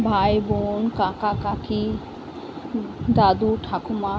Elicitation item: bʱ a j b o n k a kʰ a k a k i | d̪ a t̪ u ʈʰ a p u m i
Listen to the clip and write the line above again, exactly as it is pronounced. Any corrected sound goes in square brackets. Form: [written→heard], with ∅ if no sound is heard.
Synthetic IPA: bʱ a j b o n k a [kʰ→k] a k a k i | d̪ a [t̪→d̪] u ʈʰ a [p→k] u m [i→a]